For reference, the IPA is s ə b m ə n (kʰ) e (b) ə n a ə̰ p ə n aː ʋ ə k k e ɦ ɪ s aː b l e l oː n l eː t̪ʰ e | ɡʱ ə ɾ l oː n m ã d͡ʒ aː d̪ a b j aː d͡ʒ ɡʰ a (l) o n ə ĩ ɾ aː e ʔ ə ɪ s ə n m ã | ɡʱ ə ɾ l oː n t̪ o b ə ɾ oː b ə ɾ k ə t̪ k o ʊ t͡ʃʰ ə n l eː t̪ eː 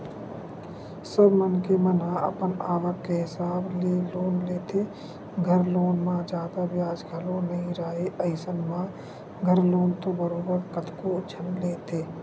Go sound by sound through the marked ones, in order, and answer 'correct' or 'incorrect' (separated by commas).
incorrect, incorrect, correct